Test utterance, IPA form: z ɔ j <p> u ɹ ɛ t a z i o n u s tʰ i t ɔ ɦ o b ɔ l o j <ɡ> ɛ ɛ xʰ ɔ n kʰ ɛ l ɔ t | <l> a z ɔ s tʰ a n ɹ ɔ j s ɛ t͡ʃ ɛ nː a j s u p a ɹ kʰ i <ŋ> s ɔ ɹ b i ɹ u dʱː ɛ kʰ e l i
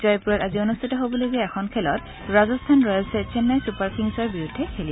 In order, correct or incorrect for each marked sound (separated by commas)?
correct, correct, incorrect, correct